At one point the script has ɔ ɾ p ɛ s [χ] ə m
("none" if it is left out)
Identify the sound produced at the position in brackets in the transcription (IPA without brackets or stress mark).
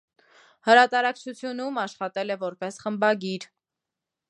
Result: χ